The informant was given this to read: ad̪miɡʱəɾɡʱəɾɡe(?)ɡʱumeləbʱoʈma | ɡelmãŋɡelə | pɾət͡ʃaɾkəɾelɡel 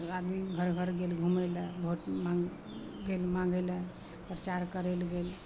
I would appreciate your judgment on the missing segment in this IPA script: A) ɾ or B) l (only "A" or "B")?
B